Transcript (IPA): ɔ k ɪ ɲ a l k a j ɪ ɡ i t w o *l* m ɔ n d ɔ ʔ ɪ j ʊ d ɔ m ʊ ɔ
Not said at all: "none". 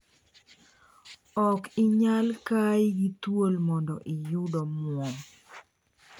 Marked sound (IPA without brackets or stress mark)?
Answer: l